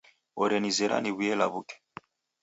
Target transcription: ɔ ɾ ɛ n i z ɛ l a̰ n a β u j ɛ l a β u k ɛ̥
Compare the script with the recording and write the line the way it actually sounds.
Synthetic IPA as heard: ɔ ɾ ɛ n i z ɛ ɾ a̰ n i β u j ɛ l a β u k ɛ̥